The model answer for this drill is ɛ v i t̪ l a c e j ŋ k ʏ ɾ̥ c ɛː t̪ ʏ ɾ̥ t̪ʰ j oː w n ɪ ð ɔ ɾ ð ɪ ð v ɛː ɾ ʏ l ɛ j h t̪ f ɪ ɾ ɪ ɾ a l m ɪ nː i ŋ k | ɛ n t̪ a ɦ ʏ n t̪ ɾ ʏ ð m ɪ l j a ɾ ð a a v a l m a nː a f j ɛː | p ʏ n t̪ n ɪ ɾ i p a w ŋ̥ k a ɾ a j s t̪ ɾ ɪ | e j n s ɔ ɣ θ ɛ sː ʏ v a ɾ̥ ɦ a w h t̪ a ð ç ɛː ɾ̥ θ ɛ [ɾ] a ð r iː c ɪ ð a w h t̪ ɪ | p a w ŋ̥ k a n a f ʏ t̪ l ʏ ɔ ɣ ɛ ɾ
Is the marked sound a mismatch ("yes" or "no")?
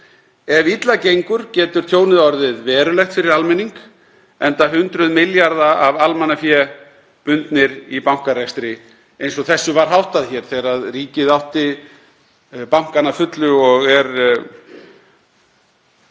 no